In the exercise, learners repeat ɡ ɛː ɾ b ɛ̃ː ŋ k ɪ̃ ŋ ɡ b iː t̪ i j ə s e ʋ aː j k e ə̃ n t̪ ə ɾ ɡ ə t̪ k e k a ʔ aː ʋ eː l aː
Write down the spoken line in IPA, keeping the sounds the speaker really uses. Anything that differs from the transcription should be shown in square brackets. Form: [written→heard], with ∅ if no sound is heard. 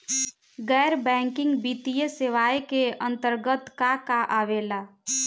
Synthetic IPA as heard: ɡ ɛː ɾ b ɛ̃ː ŋ k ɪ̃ ŋ ɡ b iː t̪ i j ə s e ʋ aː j k e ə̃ n t̪ ə ɾ ɡ ə t̪ k [e→a] k a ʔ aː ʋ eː l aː